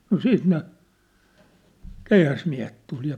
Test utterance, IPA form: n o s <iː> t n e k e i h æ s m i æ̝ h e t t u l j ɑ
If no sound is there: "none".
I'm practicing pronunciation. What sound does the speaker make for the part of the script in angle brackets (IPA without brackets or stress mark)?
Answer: iː